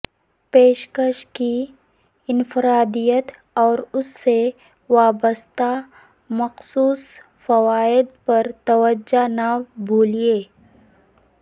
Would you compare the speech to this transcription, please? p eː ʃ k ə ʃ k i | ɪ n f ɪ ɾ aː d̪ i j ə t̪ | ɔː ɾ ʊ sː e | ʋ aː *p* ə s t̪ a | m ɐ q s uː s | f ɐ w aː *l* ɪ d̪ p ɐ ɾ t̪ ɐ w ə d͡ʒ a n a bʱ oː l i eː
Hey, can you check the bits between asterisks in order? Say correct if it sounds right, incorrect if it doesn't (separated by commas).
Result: incorrect, incorrect